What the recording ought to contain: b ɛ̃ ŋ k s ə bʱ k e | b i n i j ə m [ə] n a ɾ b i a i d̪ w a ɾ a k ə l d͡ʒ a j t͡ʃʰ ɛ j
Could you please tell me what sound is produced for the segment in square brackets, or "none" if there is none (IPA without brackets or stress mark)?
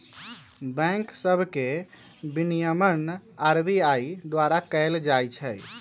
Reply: ə